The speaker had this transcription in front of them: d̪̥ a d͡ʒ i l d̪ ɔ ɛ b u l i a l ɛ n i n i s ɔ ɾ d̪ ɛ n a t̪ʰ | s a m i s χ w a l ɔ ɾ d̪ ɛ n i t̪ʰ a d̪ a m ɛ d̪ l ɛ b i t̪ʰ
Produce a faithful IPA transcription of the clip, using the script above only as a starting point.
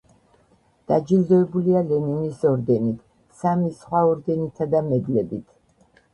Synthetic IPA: d̪̥ a d͡ʒ i l d̪ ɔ ɛ b u l i a l ɛ n i n i s ɔ ɾ d̪ ɛ n i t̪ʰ | s a m i s χ w a ɔ ɾ d̪ ɛ n i t̪ʰ a d̪ a m ɛ d̪ l ɛ b i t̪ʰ